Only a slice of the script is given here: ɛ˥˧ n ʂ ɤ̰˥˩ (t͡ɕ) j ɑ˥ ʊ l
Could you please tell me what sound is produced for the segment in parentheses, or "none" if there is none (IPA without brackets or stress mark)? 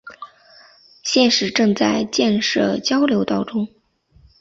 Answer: t͡ɕ